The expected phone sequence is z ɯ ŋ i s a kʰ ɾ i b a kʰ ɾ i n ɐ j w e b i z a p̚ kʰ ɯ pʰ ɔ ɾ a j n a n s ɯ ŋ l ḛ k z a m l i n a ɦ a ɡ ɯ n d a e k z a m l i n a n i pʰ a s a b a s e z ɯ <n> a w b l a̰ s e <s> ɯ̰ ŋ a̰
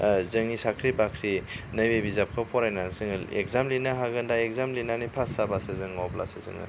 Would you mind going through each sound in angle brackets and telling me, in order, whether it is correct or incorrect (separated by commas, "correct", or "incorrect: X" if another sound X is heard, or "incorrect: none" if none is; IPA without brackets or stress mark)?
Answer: incorrect: ŋ, incorrect: z